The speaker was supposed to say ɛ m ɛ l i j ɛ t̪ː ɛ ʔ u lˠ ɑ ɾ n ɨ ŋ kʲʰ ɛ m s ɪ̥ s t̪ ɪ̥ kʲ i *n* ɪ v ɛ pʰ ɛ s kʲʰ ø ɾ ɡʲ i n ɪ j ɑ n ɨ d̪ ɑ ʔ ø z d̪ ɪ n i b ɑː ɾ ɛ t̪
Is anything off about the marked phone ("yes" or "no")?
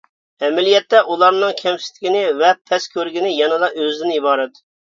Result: no